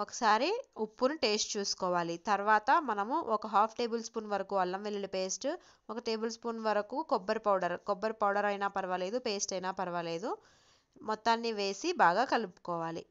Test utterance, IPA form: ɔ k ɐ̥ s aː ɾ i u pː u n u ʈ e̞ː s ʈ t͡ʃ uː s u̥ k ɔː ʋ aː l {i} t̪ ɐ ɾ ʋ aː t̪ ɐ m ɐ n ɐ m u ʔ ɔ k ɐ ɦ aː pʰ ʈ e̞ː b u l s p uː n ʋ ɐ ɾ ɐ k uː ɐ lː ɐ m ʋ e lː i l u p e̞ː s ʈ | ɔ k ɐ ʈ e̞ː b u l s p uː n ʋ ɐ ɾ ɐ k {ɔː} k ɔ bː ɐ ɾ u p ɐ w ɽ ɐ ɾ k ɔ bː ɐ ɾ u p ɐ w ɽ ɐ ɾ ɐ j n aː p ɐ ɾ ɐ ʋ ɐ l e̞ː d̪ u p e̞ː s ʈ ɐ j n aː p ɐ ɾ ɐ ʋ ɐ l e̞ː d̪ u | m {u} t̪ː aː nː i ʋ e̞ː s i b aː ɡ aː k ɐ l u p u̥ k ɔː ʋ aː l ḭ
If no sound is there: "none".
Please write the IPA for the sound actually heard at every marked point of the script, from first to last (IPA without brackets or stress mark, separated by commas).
i, uː, ɔ